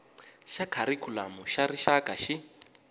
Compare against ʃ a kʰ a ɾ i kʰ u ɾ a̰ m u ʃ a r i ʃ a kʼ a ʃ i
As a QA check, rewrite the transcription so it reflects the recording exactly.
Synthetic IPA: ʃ a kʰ a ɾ i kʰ u l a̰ m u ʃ a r i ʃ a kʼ a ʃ i